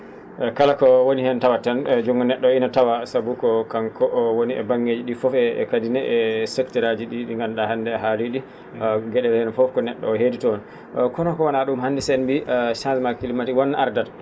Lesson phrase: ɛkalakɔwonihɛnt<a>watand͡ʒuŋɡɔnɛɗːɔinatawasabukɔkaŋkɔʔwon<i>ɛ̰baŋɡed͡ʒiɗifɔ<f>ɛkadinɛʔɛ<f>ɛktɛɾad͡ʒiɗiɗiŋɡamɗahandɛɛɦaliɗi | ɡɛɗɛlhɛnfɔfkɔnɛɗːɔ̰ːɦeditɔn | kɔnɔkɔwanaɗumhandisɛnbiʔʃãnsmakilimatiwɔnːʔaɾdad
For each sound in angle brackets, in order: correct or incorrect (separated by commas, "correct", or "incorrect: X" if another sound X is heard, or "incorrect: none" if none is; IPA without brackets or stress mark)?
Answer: correct, correct, correct, incorrect: s